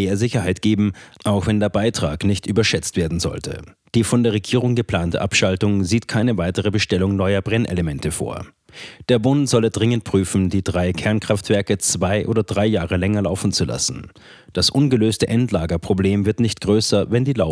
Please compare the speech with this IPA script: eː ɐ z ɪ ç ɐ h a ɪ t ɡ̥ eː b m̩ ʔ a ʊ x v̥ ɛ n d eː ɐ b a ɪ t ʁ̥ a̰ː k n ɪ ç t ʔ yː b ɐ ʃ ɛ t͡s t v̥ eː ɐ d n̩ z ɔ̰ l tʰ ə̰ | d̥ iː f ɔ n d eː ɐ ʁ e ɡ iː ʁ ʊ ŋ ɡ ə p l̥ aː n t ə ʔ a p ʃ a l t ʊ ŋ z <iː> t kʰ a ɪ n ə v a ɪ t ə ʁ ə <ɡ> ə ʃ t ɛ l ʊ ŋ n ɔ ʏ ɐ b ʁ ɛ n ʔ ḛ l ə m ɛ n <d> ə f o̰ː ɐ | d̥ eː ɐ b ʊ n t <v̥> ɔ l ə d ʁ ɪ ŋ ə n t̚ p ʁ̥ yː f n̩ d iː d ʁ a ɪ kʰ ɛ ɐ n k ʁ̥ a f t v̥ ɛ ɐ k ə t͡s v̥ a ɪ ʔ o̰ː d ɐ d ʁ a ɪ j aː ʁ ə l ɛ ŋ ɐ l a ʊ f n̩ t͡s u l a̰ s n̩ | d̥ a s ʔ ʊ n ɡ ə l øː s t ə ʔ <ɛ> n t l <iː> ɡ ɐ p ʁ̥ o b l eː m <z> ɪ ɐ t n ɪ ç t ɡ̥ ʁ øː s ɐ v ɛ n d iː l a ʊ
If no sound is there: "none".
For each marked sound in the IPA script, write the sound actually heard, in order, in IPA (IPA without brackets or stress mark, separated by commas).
iː, b, t, z̥, ɛ, aː, v